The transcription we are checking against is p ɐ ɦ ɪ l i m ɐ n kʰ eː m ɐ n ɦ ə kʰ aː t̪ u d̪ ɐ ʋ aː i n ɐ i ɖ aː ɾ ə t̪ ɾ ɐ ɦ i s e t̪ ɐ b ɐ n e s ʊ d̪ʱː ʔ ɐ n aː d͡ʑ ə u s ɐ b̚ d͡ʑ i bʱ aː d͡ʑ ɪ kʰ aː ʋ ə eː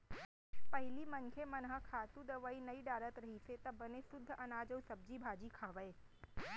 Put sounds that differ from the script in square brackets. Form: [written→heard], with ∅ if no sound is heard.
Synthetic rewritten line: p ɐ ɦ ɪ l i m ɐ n kʰ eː m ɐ n ɦ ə kʰ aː t̪ u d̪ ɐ ʋ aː i n ɐ i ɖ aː ɾ ə t̪ ɾ ɐ ɦ i s e t̪ ɐ b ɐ n e s ʊ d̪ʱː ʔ ɐ n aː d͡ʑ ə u s ɐ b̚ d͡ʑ i bʱ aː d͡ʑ [ɪ→i] kʰ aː ʋ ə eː